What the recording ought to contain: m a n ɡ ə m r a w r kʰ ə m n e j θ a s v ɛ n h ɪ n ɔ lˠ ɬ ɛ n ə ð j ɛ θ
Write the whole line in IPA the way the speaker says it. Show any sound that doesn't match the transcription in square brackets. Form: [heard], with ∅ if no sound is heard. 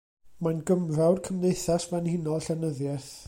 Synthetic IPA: m a n ɡ ə m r a w r kʰ ə m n e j θ a s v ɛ n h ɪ n ɔ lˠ ɬ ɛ n ə ð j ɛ θ

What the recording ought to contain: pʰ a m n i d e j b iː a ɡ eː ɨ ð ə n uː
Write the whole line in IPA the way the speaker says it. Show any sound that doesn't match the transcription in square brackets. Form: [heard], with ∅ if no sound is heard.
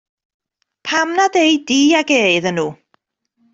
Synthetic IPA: pʰ a m n [a] d e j [d] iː a ɡ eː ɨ ð ə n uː

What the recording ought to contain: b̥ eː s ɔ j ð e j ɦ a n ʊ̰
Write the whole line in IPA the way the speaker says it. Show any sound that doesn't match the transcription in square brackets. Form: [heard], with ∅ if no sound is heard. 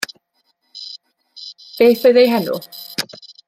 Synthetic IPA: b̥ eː [θ] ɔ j ð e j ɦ [ɛ] n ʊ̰

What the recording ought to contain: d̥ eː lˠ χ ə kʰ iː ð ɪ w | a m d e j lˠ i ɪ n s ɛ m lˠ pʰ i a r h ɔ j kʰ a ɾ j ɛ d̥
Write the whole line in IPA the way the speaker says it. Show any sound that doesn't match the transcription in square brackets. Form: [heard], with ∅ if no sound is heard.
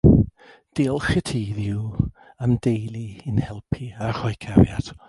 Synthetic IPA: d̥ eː lˠ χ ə [tʰ] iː ð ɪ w | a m d e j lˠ i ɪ n [h] ɛ [∅] lˠ pʰ i a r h ɔ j kʰ a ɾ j [a] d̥

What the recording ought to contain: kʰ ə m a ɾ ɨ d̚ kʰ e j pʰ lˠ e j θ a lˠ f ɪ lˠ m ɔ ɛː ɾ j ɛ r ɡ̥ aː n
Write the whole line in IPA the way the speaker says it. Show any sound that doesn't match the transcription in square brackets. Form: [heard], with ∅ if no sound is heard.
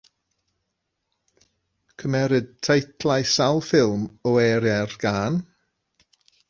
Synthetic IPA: kʰ ə m [ɛ] ɾ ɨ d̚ [tʰ] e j [tʰ] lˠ [a] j [s] a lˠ f ɪ lˠ m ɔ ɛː ɾ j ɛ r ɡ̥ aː n

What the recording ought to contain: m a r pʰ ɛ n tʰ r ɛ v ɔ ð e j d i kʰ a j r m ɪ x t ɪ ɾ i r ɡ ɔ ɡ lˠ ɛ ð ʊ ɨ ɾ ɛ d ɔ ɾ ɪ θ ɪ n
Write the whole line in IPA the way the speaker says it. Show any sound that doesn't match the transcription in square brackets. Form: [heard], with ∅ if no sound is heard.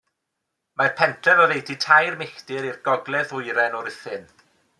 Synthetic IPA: m a r pʰ ɛ n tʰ r ɛ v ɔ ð e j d i [tʰ] a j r m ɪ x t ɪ ɾ i r ɡ ɔ ɡ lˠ ɛ ð ʊ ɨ ɾ ɛ [n] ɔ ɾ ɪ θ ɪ n

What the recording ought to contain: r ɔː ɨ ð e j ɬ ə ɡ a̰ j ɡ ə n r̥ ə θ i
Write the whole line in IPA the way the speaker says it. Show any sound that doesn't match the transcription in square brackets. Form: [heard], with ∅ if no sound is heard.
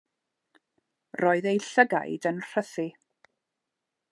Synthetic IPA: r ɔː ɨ ð e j ɬ ə ɡ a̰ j [d] ə n r̥ ə θ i

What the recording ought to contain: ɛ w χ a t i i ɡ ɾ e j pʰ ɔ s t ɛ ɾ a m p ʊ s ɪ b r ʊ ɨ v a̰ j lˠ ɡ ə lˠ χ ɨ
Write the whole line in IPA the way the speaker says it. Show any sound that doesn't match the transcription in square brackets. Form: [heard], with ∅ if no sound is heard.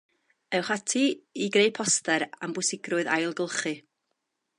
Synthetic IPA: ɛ w χ a [tʰ] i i ɡ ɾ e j pʰ ɔ s t ɛ ɾ a m [b] ʊ s ɪ [ɡ] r ʊ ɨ [ð] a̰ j lˠ ɡ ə lˠ χ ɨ

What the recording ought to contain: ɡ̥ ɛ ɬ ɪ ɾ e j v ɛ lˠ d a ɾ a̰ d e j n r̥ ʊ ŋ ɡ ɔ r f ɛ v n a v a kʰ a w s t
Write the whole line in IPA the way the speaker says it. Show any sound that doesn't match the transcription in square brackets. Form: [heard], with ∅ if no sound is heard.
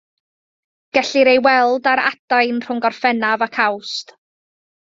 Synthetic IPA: ɡ̥ ɛ ɬ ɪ ɾ e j [w] ɛ lˠ d a ɾ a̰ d [a] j n r̥ ʊ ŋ ɡ ɔ r f ɛ [∅] n a v a kʰ a w s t

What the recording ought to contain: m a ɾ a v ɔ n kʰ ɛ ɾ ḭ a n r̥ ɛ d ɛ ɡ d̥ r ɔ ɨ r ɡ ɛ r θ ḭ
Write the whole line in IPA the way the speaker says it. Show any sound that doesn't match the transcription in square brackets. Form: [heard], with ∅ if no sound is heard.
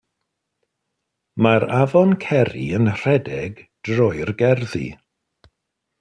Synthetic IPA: m a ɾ a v ɔ n kʰ ɛ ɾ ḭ [ə] n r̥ ɛ d ɛ ɡ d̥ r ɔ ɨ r ɡ ɛ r [ð] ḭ

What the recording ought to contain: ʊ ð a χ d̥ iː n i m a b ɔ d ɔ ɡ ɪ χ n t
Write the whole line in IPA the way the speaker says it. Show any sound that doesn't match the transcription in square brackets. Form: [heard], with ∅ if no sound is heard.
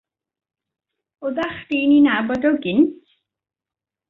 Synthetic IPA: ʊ ð a χ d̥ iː n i [n] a b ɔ d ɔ ɡ ɪ [∅] n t

